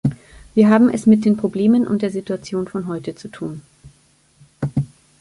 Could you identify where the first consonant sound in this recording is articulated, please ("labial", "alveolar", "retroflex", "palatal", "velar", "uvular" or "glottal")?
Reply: labial